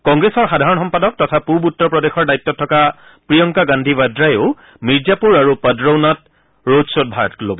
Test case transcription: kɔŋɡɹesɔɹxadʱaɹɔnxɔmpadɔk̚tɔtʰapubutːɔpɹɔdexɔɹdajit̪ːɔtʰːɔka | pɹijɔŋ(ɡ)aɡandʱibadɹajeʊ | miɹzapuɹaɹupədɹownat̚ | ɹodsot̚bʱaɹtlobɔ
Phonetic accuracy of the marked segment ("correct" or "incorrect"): incorrect